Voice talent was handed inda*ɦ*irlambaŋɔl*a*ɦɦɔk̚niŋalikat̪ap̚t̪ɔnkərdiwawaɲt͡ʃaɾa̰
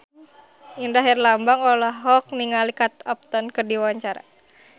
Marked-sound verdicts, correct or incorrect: correct, correct

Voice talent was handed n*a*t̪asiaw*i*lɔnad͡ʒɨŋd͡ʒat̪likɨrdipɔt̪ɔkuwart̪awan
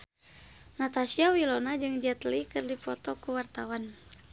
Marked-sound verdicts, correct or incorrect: correct, correct

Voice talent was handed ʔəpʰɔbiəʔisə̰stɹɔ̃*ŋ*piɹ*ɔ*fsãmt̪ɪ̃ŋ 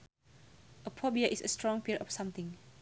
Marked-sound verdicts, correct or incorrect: correct, correct

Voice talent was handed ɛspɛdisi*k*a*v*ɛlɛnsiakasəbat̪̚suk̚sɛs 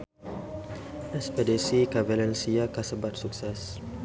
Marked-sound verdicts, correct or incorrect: correct, correct

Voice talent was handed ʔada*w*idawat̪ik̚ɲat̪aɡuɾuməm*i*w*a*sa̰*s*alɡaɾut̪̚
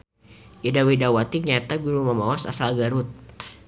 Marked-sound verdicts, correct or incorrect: correct, incorrect, correct, correct

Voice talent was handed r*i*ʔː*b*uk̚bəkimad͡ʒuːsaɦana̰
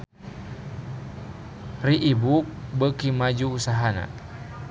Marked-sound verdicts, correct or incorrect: correct, correct

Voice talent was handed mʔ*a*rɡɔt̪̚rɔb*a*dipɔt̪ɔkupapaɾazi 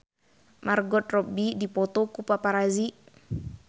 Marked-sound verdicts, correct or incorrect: correct, incorrect

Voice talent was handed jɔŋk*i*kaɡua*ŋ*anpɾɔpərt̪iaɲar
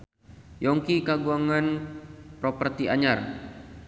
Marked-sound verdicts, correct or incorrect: correct, correct

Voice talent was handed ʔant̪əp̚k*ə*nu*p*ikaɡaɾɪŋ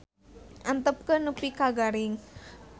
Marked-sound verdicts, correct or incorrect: correct, correct

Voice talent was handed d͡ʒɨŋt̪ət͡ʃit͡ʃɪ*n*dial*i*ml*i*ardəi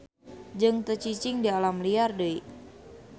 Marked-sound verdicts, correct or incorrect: incorrect, incorrect, correct

